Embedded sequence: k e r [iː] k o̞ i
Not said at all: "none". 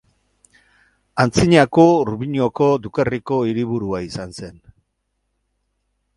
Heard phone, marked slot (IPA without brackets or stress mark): i